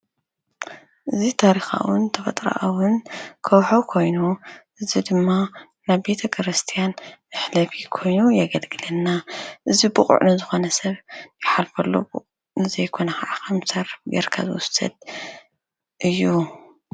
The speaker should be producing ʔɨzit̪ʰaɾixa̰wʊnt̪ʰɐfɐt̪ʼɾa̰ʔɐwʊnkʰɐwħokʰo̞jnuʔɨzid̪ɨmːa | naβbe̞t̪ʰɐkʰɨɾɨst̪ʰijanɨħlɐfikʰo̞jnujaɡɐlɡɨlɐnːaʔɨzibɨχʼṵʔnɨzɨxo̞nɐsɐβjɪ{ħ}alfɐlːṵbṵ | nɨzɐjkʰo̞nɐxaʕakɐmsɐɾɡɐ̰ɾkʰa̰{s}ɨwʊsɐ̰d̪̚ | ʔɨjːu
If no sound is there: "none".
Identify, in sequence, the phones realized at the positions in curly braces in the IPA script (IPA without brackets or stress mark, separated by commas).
ħ, z